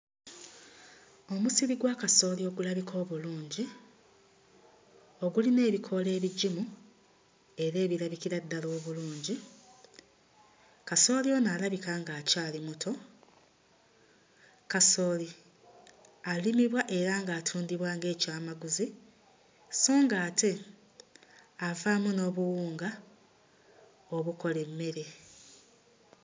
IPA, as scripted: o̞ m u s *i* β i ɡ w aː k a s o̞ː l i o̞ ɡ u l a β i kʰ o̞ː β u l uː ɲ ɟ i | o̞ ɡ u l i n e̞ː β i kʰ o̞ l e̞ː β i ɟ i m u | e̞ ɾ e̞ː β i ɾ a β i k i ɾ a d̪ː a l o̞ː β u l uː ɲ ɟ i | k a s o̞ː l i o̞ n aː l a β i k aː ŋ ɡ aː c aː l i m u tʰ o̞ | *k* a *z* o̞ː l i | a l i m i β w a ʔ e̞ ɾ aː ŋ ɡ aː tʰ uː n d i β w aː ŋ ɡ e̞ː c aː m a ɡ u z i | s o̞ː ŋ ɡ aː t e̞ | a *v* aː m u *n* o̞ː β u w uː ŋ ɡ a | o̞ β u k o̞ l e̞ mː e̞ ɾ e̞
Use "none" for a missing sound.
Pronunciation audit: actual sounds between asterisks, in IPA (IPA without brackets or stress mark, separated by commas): i, k, s, v, n